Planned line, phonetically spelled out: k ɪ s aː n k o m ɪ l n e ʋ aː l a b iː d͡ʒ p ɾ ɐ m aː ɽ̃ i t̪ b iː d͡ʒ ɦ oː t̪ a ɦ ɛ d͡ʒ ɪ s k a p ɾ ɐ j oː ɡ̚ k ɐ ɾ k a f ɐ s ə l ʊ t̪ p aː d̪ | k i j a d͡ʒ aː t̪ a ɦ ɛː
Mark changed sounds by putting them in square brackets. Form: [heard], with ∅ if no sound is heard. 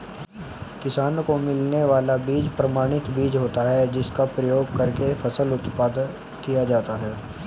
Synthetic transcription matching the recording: k ɪ s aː n k o m ɪ l n e ʋ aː l a b iː d͡ʒ p ɾ ɐ m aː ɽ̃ [ɪ] t̪ b iː d͡ʒ ɦ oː t̪ a ɦ ɛ d͡ʒ ɪ s k a p ɾ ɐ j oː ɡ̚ k ɐ ɾ k [e] f ɐ s ə l ʊ t̪ p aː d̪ | k i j a d͡ʒ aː t̪ a ɦ ɛː